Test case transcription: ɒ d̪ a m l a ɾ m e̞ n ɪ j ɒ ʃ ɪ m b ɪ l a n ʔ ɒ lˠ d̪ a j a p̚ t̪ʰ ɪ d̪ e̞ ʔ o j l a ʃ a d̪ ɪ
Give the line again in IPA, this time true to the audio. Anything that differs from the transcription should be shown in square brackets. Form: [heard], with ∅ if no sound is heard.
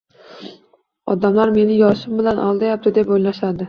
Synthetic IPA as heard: ɒ d̪ a m l a ɾ m e̞ n ɪ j ɒ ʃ ɪ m b ɪ l a n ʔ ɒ lˠ d̪ a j a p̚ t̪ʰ ɪ d̪ e̞ [p] o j l a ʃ a d̪ ɪ